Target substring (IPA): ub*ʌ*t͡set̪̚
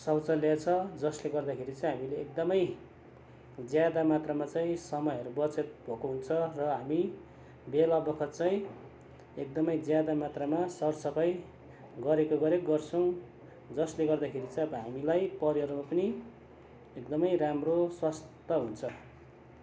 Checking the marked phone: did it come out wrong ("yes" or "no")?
no